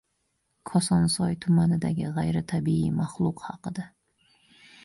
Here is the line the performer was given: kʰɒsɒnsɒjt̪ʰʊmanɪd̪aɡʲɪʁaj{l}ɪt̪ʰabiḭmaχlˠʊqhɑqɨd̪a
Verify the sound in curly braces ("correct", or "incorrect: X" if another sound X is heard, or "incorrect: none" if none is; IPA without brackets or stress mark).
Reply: incorrect: ɾ